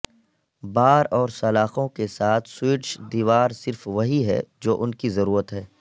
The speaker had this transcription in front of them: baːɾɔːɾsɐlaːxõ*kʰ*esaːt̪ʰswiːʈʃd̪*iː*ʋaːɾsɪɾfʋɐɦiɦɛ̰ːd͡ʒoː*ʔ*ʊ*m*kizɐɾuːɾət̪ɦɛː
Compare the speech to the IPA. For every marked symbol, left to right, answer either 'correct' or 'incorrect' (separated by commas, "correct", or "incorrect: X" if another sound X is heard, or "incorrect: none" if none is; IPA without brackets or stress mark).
incorrect: k, correct, correct, incorrect: n